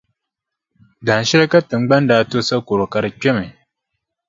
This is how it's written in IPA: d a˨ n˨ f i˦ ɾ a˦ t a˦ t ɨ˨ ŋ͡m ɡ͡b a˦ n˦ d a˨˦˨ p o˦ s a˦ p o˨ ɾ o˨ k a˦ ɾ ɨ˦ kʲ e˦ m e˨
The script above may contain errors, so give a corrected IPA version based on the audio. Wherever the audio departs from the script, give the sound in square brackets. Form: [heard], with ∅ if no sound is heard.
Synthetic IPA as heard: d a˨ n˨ [ʃ] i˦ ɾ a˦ [k] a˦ t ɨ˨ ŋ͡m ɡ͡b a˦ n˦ d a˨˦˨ [t] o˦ s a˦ [k] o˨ ɾ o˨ k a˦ ɾ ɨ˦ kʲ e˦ m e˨